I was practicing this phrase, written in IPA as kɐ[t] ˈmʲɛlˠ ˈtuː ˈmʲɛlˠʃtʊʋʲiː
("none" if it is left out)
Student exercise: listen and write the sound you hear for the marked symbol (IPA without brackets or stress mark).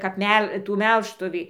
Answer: p